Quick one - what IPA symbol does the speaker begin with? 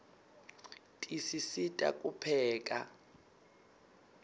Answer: tʼ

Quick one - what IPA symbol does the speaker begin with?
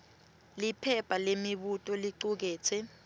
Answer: l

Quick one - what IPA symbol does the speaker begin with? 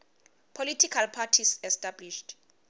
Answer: pʰ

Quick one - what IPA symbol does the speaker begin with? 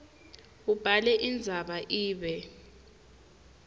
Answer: u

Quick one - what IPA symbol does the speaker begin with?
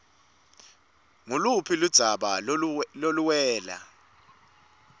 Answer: ŋ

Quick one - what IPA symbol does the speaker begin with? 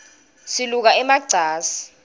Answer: s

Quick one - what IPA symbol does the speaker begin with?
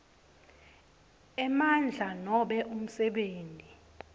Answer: ɛ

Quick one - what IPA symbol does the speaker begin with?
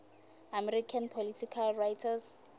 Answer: a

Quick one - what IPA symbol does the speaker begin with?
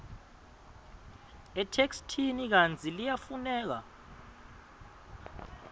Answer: ɛ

